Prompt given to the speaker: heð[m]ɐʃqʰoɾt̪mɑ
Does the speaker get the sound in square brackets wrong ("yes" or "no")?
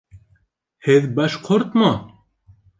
yes